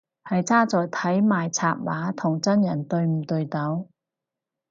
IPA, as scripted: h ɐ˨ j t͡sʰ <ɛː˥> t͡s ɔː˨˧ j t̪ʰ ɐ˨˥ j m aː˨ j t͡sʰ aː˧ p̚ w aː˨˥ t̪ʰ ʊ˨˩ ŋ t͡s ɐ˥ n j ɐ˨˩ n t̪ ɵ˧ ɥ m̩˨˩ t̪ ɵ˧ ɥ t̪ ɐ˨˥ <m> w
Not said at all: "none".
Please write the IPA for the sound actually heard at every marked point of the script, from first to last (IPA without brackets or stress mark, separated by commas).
aː˥, none